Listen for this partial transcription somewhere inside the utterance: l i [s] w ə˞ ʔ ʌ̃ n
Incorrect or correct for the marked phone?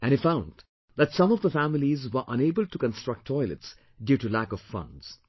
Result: incorrect: z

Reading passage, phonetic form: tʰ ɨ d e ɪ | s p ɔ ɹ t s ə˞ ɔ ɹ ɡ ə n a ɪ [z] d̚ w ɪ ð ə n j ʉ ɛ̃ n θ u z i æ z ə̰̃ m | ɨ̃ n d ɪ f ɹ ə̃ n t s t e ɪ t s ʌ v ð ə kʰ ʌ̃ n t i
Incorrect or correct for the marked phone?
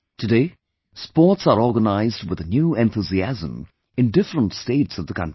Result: correct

